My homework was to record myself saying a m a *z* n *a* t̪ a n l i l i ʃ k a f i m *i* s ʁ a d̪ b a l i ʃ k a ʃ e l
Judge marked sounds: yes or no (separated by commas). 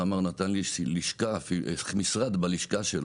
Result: no, yes, yes